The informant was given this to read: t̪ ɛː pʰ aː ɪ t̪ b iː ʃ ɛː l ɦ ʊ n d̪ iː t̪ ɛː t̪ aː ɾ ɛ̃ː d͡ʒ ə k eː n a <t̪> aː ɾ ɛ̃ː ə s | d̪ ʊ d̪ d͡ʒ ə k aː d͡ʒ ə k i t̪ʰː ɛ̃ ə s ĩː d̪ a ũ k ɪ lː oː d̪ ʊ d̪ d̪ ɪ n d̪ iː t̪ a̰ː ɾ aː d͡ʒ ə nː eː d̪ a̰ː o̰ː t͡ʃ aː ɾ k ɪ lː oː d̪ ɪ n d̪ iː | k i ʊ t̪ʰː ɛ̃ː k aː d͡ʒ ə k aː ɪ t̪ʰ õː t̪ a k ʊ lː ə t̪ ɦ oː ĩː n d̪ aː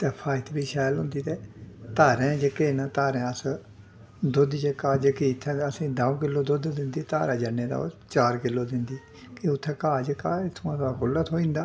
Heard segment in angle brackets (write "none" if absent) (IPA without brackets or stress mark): t̪